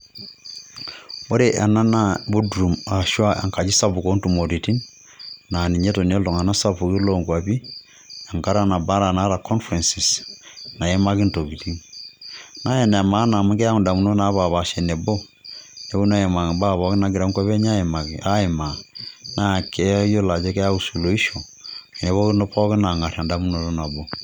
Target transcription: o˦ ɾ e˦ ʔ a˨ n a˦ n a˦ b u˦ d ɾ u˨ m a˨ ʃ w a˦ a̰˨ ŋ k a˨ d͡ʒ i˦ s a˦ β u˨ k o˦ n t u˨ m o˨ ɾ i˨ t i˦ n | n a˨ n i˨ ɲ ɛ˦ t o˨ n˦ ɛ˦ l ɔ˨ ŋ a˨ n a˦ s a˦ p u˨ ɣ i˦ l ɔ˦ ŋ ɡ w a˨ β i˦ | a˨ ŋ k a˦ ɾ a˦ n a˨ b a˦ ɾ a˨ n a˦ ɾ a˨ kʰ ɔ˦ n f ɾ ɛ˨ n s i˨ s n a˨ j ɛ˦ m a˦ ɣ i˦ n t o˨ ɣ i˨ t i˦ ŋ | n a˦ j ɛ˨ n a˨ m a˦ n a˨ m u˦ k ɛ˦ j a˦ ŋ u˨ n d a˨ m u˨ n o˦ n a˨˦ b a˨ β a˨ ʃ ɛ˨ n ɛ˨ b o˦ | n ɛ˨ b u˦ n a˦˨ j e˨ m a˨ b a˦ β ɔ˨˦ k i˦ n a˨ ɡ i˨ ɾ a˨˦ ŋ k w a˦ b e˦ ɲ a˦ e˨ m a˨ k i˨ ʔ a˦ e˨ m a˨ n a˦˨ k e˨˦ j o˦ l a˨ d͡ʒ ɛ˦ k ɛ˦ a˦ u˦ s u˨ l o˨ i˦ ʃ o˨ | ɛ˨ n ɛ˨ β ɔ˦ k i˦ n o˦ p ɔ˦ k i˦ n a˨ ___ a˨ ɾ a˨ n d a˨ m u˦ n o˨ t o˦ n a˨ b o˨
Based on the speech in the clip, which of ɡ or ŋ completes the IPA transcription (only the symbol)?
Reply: ŋ